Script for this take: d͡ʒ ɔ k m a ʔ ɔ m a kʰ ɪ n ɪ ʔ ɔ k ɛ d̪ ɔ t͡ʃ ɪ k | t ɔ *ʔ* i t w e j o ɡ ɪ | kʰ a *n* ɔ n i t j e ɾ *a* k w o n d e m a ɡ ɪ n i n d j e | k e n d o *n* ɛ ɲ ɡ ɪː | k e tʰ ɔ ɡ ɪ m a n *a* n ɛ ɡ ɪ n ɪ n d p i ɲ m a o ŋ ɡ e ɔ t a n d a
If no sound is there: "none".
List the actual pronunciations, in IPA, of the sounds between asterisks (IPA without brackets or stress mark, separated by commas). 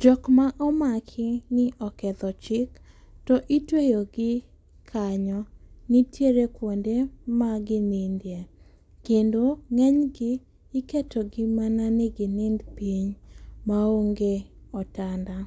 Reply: ʔ, ɲ, e, ŋ, a